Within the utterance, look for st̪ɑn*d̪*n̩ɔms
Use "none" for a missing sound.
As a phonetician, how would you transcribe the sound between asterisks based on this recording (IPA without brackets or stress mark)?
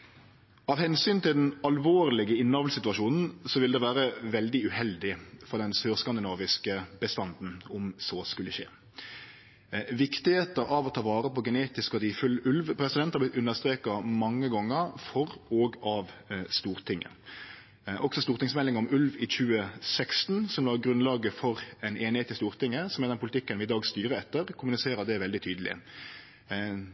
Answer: d̪